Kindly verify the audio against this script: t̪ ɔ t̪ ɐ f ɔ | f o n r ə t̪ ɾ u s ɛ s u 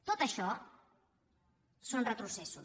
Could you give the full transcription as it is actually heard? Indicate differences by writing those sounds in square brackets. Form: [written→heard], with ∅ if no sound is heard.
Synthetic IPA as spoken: t̪ [ɔ→o] t̪ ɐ [f→ʃ] ɔ | [f→s] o n r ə t̪ ɾ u s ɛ s u

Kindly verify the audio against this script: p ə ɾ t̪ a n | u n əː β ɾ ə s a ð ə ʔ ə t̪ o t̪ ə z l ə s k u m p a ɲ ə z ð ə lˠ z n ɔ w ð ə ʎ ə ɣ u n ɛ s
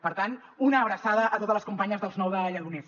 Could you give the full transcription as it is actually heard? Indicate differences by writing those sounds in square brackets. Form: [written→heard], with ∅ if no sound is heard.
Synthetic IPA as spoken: p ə ɾ t̪ a n | u n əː β ɾ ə s a ð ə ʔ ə t̪ o t̪ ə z l ə s k u m p a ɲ ə z ð ə lˠ z n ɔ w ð ə ʎ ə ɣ u n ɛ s

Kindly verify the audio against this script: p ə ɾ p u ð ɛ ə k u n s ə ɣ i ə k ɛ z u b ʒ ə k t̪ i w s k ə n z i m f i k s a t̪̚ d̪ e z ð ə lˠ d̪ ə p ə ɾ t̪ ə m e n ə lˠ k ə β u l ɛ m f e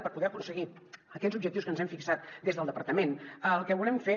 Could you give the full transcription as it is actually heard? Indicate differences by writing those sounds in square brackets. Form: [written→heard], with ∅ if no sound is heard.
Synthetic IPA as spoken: p ə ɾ p u ð ɛ ə k u n s ə ɣ i ə k ɛ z u b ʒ ə k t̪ i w s k ə n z [i→ɛ] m f i k s a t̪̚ d̪ e z ð ə lˠ d̪ ə p ə ɾ t̪ ə m e n ə lˠ k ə β u l ɛ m f e

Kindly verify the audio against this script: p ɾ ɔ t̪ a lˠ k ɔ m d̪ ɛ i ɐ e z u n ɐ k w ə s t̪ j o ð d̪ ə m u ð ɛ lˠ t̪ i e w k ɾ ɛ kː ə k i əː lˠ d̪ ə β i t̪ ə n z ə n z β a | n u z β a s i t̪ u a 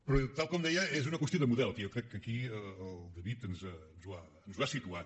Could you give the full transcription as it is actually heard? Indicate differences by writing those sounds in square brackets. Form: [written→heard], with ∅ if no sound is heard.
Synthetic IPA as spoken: p ɾ ɔ t̪ a lˠ k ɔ m d̪ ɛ [i→j] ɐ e z u n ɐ k w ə s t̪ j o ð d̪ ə m u ð ɛ lˠ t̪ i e w k ɾ ɛ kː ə k i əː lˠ d̪ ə β i t̪ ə n z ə n z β a | n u z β a s i t̪ u a

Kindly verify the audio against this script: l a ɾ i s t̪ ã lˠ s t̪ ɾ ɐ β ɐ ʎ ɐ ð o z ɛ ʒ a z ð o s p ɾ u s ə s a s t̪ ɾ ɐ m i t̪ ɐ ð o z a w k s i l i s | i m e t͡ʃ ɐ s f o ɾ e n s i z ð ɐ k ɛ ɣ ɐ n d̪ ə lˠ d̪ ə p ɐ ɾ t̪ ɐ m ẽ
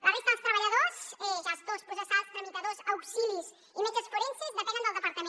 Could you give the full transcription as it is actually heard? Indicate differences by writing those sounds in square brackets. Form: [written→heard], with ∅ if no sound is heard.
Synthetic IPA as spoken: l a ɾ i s t̪ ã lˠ s t̪ ɾ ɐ β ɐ ʎ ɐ ð o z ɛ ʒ a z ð o s p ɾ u s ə s a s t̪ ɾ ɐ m i t̪ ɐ ð o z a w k s i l i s | i m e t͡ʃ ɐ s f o ɾ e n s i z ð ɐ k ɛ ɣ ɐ n d̪ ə lˠ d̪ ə p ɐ ɾ t̪ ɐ m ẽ

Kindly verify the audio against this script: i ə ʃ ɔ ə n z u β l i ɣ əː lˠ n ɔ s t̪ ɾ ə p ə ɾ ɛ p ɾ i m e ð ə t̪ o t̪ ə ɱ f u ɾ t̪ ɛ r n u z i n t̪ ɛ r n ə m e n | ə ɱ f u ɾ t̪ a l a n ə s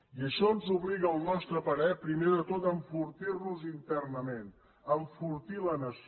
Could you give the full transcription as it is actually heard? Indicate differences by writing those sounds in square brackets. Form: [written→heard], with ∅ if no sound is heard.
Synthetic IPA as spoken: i ə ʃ ɔ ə n z u β l i ɣ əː lˠ n ɔ s t̪ ɾ ə p ə ɾ ɛ p ɾ i m e ð ə t̪ o t̪ ə ɱ f u ɾ t̪ [ɛ→i] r n u z i n t̪ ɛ r n ə m e n | ə ɱ f u ɾ t̪ [a→i] l [a→ə] n ə s

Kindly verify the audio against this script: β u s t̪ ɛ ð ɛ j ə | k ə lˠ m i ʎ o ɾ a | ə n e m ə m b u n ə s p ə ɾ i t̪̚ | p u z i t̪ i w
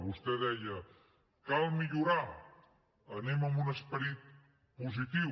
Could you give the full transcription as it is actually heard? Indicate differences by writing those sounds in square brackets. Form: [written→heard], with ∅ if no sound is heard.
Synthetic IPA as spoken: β u s t̪ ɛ ð ɛ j ə | k [ə→a] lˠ m i ʎ [o→u] ɾ a | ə n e m ə m b u n ə s p ə ɾ i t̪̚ | p u z i t̪ i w

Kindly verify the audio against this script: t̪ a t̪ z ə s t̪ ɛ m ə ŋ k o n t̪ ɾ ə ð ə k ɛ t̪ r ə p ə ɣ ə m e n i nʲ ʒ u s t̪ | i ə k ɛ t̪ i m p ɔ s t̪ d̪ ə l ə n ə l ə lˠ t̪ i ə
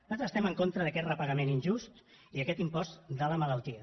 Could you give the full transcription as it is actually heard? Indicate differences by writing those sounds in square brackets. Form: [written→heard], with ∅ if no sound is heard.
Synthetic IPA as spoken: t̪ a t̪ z ə s t̪ ɛ m ə ŋ k o n t̪ ɾ ə ð ə k ɛ t̪ r ə p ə ɣ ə m e n i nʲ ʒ u s t̪ | i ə k ɛ t̪ i m p ɔ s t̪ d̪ ə l ə [n→m] ə l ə lˠ t̪ i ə

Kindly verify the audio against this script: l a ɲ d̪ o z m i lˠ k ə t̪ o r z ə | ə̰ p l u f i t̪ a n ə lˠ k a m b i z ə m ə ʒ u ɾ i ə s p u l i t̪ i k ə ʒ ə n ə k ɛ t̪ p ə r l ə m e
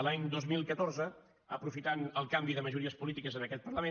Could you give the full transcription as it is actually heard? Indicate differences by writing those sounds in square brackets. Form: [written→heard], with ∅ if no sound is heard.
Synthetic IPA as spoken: l a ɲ d̪ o z m i lˠ k ə t̪ o r z ə | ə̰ p [l→ɾ] u f i t̪ a n ə lˠ k a m b i [z→ð] ə m ə ʒ u ɾ i ə s p u l i t̪ i k ə [ʒ→z] ə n ə k ɛ t̪ p ə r l ə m e

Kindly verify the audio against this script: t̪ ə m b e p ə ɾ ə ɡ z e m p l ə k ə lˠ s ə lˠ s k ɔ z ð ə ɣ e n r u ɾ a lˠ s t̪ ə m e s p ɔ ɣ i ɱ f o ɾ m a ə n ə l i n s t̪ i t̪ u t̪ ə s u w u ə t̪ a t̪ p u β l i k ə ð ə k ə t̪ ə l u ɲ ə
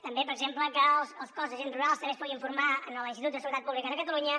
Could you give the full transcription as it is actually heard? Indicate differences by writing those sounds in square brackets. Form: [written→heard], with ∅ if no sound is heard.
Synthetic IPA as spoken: t̪ ə m b e p ə ɾ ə ɡ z e m p l ə k ə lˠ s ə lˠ s k ɔ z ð ə [ɣ→ʒ] e n r u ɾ a lˠ s t̪ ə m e s p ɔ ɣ i ɱ f [o→u] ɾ m a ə n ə l i n s t̪ i t̪ u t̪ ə s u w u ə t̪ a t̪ p u β l i k ə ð ə k ə t̪ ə l u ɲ ə

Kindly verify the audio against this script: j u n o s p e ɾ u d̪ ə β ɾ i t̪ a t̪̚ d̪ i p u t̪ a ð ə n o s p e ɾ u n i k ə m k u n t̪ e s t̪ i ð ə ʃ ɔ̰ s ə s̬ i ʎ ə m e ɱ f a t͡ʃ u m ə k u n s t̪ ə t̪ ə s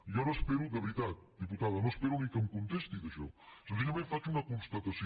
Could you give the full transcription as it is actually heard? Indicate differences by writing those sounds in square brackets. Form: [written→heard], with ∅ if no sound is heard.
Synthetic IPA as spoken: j [u→ɔ] n o s p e ɾ u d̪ ə β ɾ i t̪ a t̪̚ d̪ i p u t̪ a ð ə n o s p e ɾ u n i k ə m k u n t̪ e s t̪ i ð ə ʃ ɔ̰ s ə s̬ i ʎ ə m e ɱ f a t͡ʃ u [m→n] ə k u n s t̪ ə t̪ ə s

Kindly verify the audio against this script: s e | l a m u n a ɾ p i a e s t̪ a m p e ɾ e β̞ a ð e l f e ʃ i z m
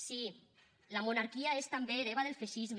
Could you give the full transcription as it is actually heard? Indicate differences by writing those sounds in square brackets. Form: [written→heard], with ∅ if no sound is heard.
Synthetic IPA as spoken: s [e→i] | l a m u n a ɾ [p→k] i a e s t̪ a m [p→b] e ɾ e β̞ a ð e l f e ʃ i z m

